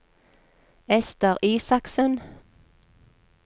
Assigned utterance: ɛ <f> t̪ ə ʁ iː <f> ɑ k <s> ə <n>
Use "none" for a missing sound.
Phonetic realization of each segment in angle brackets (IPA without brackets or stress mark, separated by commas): s, s, s, n